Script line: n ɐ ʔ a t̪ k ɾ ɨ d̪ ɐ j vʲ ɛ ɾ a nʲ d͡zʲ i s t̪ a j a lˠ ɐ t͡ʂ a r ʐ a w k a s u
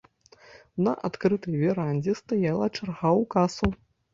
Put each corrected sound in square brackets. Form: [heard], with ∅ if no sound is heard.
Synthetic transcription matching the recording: n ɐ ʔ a t̪ k ɾ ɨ [t̪] ɐ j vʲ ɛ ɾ a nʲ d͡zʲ [ɛ] s t̪ a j a lˠ ɐ t͡ʂ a r [ɣ] a w k a s u